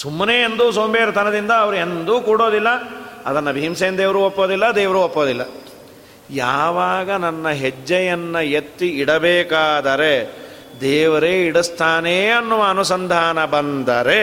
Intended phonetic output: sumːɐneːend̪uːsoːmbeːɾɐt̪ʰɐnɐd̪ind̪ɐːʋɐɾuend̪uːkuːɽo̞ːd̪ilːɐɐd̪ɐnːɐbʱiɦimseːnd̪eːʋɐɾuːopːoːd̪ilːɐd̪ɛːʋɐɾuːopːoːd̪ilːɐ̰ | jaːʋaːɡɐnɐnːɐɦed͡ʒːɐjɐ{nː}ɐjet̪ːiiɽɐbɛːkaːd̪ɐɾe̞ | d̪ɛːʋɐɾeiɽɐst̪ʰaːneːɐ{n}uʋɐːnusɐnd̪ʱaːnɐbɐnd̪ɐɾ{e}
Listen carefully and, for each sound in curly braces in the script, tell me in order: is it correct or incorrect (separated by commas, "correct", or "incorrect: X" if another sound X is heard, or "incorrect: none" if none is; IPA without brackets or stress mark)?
correct, incorrect: nː, correct